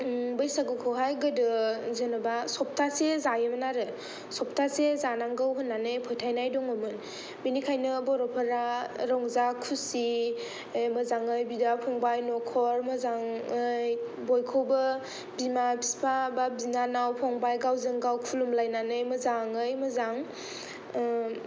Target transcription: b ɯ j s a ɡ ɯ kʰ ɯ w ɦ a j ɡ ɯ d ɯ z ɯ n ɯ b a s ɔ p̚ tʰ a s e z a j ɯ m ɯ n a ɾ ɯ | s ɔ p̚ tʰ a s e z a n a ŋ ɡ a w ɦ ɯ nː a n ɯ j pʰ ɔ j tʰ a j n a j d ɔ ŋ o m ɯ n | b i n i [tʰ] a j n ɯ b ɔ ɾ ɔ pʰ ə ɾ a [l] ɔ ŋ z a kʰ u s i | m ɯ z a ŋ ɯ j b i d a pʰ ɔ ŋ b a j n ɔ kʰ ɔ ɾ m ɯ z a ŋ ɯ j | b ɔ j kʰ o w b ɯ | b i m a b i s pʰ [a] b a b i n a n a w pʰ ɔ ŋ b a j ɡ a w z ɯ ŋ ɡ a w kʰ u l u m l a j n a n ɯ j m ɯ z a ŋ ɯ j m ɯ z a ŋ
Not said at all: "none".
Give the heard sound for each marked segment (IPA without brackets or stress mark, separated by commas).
kʰ, ɾ, a